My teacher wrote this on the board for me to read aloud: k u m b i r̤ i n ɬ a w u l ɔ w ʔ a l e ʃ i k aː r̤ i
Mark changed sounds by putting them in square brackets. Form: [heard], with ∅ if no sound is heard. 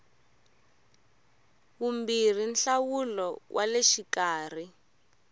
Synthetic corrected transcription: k u m b i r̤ i n ɬ a w u l ɔ w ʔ a l e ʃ i k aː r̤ i